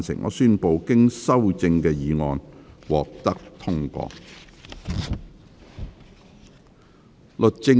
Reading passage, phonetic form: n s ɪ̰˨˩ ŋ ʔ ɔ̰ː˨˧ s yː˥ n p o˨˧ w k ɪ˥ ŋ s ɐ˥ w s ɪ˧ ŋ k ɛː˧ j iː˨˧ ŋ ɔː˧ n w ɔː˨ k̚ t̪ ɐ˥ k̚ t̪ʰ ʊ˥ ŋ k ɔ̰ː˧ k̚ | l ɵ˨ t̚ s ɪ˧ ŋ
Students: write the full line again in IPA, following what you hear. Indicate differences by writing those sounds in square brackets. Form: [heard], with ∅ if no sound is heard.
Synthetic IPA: n s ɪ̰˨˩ ŋ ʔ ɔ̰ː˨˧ s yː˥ n p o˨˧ w k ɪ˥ ŋ s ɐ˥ w [t͡s] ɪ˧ ŋ k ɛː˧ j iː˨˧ ŋ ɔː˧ n w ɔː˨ k̚ t̪ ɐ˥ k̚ t̪ʰ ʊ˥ ŋ k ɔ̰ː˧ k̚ | l ɵ˨ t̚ [t͡s] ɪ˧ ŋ

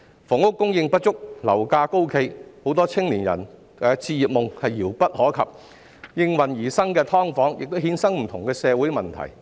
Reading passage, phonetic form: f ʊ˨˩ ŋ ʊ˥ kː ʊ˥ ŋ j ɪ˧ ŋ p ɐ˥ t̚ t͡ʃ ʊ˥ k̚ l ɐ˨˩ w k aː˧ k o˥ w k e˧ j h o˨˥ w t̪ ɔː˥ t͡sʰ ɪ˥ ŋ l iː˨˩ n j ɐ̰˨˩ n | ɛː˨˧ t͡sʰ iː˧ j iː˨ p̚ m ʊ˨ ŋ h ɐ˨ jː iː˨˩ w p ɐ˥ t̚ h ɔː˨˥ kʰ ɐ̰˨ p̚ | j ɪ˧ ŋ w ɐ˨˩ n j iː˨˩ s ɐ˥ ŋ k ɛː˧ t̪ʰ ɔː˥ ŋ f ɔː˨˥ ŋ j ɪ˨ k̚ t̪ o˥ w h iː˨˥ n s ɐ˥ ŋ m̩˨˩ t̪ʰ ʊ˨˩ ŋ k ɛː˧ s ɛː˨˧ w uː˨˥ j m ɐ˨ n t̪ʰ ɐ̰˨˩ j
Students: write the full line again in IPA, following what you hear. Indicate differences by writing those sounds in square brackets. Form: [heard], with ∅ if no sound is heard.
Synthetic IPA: f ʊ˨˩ ŋ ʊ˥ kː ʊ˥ ŋ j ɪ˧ ŋ p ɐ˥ t̚ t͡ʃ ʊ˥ k̚ l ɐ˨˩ w k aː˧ k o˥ w [kʰ] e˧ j h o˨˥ w t̪ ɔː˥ t͡sʰ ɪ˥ ŋ l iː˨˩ n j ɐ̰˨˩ n | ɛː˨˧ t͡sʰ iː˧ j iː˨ p̚ m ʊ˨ ŋ h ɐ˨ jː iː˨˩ w p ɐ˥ t̚ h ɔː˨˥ kʰ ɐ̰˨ p̚ | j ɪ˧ ŋ w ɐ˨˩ n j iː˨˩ s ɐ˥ ŋ k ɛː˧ t̪ʰ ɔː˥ ŋ f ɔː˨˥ ŋ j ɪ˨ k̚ t̪ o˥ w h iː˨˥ n s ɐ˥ ŋ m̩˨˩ t̪ʰ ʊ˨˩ ŋ k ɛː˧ s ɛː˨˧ w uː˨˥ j m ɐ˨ n t̪ʰ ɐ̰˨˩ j

